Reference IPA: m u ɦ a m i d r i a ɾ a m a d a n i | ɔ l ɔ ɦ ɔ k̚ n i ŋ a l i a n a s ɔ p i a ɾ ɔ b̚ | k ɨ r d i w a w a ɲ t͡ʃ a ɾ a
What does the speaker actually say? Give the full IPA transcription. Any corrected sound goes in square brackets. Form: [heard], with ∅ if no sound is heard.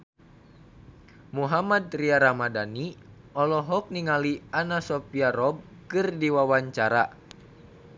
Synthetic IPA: m u ɦ a m [a] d r i a ɾ a m a d a n i | ɔ l ɔ ɦ ɔ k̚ n i ŋ a l i a n a s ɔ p i a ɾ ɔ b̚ | k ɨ r d i w a w a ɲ t͡ʃ a ɾ a